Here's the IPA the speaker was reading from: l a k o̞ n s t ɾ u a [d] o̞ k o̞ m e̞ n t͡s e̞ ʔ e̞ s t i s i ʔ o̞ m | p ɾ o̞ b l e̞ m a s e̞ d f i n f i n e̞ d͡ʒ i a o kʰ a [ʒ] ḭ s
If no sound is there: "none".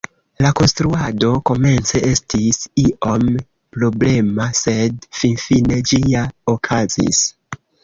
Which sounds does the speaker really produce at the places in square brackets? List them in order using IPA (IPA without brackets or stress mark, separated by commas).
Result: d, z